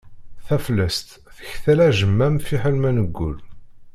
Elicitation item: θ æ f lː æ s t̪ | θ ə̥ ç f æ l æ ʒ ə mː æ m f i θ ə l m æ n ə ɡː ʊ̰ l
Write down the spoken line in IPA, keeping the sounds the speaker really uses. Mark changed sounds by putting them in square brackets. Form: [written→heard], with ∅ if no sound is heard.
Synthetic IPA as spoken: θ æ f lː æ s t̪ | θ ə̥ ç [f→θ] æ l æ ʒ ə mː æ m f i [θ→ħ] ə l m æ n ə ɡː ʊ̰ l